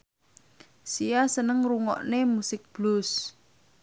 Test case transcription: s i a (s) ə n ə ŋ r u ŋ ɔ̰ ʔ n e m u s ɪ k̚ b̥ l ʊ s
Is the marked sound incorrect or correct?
correct